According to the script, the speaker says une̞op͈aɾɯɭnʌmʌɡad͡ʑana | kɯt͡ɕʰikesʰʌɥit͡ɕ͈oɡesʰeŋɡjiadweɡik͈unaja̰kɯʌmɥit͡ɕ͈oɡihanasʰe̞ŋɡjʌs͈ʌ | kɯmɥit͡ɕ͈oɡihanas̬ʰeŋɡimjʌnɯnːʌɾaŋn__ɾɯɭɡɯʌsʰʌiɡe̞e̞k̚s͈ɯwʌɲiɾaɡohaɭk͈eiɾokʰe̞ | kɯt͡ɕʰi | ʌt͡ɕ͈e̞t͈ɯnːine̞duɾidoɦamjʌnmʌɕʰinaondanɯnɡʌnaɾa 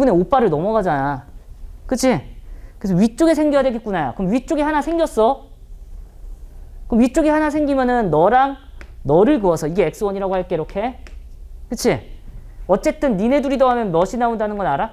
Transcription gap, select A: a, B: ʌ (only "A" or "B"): B